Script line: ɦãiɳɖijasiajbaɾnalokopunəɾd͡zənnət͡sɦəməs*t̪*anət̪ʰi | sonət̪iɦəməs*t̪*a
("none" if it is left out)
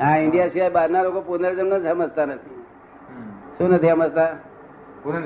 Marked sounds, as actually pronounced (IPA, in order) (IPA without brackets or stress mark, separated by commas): t̪, t̪